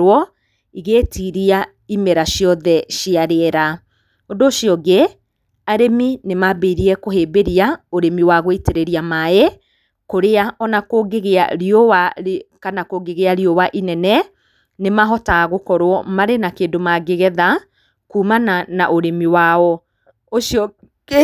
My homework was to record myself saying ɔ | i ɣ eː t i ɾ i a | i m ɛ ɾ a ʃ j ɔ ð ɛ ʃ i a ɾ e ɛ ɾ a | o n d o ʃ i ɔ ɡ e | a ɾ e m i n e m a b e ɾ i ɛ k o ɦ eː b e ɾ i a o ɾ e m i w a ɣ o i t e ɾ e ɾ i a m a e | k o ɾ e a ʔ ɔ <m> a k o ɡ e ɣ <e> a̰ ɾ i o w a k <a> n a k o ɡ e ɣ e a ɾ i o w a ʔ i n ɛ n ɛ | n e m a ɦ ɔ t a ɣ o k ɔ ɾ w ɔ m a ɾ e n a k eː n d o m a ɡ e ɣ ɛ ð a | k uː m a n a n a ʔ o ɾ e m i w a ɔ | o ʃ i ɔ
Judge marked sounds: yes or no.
no, yes, yes

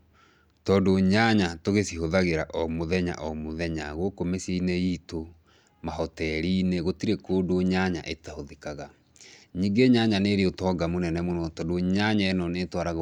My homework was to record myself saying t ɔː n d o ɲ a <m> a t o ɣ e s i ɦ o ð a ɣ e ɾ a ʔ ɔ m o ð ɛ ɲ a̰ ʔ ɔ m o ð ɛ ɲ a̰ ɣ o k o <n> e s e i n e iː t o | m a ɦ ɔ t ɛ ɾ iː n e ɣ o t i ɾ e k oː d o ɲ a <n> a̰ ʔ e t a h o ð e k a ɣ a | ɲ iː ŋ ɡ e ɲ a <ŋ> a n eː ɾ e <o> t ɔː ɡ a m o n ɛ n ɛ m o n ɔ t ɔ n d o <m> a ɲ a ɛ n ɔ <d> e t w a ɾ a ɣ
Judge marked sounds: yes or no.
no, no, no, no, yes, no, no

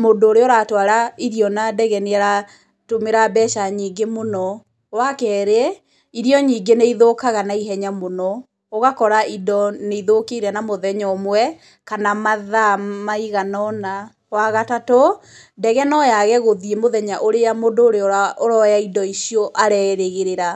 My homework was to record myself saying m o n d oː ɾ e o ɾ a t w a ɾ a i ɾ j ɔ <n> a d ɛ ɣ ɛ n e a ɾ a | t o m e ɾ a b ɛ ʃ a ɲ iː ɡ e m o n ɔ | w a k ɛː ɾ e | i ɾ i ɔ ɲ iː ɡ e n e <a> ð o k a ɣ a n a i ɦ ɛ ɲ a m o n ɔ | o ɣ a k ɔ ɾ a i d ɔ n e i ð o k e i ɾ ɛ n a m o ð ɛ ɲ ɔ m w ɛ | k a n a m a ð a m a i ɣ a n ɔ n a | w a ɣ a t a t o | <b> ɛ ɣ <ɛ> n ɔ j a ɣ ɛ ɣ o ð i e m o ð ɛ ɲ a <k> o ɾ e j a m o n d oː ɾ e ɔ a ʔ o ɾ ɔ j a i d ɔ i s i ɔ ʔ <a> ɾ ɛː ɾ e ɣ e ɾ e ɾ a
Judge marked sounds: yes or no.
yes, no, no, yes, no, yes

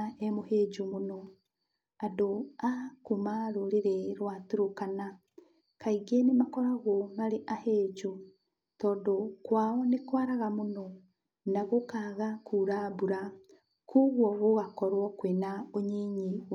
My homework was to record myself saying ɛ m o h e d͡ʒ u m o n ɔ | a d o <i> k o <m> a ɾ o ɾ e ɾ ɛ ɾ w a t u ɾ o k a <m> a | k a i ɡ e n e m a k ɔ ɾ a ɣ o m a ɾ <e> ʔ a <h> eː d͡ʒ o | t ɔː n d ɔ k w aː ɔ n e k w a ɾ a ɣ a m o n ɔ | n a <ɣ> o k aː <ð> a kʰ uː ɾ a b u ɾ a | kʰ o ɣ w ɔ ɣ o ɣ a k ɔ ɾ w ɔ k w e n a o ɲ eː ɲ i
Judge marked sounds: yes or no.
no, yes, no, yes, yes, yes, no

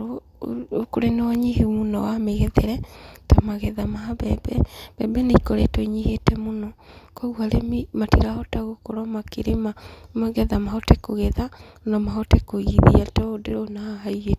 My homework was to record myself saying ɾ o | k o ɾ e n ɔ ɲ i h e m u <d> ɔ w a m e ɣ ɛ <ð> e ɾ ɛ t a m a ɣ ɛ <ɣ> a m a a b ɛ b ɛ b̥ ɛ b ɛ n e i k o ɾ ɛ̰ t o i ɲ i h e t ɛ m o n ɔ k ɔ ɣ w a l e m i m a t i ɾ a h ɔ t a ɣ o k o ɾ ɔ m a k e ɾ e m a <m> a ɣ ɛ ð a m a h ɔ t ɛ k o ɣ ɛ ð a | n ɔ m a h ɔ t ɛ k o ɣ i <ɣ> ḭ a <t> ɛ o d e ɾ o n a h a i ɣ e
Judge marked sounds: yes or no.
no, yes, no, yes, no, yes

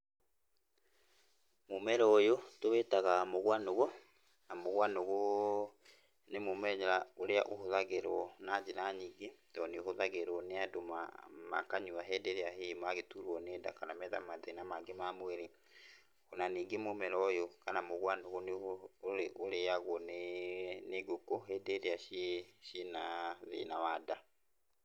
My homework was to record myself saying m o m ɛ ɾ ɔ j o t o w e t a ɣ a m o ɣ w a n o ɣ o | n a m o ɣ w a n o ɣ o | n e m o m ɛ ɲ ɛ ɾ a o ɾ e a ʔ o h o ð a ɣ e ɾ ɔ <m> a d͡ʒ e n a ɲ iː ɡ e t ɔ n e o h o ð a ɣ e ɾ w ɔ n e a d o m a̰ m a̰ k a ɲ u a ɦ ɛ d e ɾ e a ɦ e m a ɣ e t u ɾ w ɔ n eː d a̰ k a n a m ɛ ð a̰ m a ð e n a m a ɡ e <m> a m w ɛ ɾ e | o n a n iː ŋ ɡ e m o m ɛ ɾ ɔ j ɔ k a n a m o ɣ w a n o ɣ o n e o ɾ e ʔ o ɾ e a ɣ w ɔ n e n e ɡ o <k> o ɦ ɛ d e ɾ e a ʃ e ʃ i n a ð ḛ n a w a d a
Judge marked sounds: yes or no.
no, yes, yes

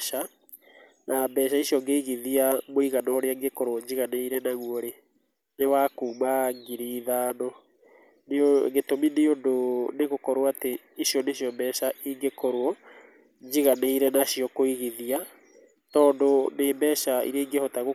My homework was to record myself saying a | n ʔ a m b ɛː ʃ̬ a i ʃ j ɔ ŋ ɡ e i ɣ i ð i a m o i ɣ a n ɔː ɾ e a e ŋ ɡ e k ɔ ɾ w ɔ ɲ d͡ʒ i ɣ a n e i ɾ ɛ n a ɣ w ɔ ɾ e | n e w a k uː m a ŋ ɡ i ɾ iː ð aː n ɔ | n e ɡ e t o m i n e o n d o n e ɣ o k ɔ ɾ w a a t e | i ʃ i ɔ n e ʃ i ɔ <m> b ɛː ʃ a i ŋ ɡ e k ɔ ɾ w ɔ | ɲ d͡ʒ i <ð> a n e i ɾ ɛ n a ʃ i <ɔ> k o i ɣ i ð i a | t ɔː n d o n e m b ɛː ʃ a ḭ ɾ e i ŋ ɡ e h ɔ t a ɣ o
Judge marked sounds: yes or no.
yes, no, yes

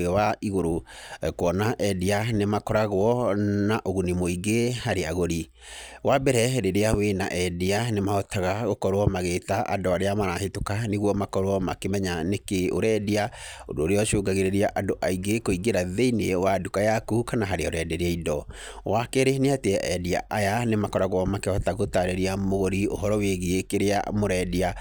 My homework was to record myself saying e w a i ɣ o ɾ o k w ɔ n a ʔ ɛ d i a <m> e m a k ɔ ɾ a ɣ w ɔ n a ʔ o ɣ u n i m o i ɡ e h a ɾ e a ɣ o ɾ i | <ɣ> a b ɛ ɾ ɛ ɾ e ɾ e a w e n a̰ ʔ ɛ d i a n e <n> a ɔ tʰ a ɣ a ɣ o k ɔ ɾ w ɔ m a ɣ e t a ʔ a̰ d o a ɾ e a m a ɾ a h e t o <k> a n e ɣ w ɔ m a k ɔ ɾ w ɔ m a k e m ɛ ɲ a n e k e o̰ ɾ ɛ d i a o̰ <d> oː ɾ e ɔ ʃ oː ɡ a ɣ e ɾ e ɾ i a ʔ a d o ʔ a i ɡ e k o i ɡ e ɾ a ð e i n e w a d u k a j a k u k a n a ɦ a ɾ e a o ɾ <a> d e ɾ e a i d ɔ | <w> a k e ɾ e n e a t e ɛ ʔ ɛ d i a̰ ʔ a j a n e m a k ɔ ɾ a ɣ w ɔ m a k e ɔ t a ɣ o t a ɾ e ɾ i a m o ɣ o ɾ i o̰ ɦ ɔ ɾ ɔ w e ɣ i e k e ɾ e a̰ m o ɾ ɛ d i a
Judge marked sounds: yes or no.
no, no, no, yes, yes, no, yes

